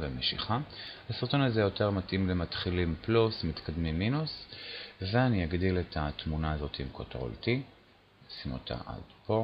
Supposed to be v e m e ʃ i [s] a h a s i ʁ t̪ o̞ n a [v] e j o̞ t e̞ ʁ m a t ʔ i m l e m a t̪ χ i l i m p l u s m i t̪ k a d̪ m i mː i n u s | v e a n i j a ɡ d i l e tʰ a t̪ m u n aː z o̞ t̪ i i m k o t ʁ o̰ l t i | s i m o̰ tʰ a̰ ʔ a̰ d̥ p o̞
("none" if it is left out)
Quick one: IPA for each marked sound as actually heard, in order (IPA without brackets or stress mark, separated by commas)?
χ, z